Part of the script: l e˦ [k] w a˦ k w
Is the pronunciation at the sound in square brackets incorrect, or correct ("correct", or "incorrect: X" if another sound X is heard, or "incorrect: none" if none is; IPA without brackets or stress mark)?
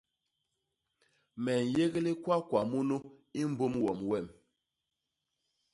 correct